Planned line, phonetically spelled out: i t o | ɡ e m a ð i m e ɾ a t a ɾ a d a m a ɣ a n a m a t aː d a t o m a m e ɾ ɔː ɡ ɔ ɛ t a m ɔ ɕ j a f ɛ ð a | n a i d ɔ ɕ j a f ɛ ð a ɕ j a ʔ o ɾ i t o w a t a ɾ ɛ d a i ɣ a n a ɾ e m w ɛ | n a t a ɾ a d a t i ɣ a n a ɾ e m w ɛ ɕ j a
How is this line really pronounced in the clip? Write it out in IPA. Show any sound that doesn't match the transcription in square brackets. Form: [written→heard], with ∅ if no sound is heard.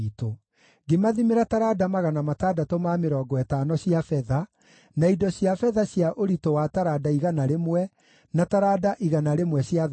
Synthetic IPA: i t o | ɡ e m a ð i m e ɾ a t a ɾ a d a m a ɣ a n a m a t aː d a t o m a m e ɾ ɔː ɡ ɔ ɛ t a [m→n] ɔ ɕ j a f ɛ ð a | n a i d ɔ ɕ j a f ɛ ð a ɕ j a ʔ o ɾ i t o w a t a ɾ [ɛ→a] d a i ɣ a n a ɾ e m w ɛ | n a t a ɾ a d a [t→ʔ] i ɣ a n a ɾ e m w ɛ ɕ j a